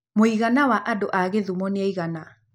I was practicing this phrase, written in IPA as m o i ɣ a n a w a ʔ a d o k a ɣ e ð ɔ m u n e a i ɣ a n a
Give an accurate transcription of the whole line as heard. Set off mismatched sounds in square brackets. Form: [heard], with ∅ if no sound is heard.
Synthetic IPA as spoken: m o i ɣ a n a w a ʔ a d o [ʔ] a ɣ e ð [u] m [ɔ] n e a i ɣ a n a